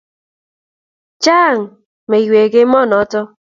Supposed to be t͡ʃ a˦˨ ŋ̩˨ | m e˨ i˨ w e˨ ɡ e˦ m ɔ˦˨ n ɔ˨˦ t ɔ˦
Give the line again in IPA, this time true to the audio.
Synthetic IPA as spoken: t͡ʃ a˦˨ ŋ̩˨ | m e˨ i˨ w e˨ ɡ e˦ m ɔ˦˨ n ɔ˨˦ t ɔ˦